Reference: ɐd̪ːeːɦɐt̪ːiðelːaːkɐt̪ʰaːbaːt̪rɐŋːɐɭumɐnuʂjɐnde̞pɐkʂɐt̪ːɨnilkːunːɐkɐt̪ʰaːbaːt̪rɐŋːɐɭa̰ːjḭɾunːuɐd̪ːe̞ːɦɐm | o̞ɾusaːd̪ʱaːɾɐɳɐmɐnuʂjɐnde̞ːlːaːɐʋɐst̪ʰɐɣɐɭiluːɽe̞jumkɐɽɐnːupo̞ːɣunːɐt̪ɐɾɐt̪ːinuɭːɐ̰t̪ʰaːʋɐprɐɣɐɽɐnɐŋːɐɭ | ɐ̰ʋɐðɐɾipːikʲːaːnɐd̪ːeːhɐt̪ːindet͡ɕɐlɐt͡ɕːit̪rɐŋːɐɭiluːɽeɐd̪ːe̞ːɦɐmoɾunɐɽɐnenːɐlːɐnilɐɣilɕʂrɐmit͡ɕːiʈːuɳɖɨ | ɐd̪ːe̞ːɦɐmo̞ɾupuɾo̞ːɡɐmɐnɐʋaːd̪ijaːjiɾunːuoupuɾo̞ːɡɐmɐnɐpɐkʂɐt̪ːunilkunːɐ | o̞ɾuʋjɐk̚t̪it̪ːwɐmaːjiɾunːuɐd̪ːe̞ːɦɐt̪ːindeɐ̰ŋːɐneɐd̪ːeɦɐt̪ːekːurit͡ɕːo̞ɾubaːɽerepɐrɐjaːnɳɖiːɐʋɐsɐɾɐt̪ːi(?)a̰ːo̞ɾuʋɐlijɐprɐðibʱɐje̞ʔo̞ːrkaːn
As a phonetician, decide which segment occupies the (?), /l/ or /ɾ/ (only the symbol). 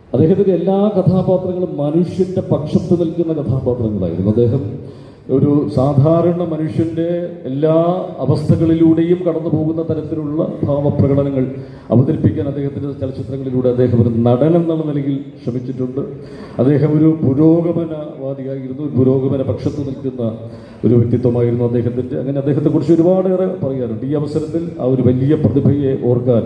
l